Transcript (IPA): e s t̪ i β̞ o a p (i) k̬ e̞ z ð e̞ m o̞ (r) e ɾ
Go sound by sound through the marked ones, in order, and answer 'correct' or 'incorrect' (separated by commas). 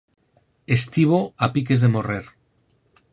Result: correct, correct